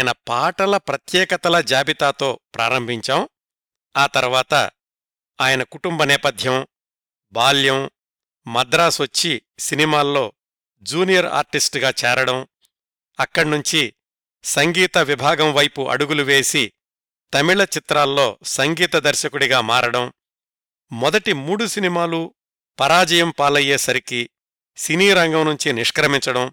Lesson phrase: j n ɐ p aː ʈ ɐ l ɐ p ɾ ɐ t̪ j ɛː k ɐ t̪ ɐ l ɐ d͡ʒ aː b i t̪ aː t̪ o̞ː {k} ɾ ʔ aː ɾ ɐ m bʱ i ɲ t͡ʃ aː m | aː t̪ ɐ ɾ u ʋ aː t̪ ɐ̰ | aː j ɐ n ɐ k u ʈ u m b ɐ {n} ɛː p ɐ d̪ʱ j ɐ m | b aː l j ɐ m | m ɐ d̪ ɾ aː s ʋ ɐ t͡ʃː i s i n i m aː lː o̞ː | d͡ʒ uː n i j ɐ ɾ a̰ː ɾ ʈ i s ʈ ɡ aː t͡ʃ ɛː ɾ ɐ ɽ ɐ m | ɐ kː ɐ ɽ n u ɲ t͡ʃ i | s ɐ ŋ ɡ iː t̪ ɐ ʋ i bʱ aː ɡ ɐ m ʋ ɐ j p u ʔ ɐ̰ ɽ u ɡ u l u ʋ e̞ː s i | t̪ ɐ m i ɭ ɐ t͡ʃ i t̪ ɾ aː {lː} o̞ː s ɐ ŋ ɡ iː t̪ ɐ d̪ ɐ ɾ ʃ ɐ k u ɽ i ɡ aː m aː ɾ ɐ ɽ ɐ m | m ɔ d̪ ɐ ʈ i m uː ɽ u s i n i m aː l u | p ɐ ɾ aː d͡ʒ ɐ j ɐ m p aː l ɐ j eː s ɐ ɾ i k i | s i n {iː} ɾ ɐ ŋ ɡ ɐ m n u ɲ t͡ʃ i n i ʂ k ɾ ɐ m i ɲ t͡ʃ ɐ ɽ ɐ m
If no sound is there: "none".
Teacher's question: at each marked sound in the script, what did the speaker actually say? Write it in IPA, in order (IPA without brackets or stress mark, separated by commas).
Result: p, n, lː, iː